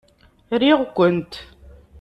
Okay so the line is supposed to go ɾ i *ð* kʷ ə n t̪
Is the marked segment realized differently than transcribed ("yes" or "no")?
yes